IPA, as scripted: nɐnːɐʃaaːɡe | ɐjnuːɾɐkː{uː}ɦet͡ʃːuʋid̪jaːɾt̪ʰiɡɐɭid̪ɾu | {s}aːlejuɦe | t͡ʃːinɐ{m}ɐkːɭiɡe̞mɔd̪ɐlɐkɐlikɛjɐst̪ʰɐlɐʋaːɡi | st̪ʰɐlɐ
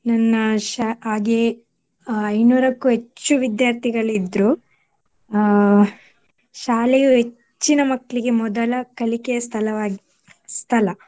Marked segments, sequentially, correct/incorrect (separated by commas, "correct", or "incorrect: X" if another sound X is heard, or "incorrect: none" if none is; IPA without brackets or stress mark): incorrect: u, incorrect: ʃ, correct